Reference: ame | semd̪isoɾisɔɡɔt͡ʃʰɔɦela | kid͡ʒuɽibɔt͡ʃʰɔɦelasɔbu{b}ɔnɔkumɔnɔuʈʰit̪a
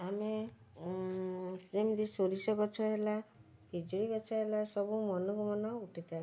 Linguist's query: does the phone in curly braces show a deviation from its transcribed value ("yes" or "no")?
yes